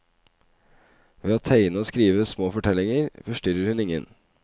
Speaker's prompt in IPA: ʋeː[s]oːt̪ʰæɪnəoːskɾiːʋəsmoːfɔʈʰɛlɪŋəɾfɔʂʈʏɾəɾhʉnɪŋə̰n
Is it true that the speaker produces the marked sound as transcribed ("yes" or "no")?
no